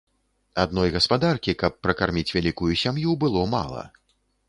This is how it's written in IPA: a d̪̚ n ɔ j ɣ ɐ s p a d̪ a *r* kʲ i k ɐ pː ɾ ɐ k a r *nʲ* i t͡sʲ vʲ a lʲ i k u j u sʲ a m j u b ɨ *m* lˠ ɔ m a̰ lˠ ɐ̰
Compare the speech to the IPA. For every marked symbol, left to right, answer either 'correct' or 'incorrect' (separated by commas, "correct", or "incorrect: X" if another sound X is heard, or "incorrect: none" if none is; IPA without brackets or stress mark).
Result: correct, incorrect: mʲ, incorrect: none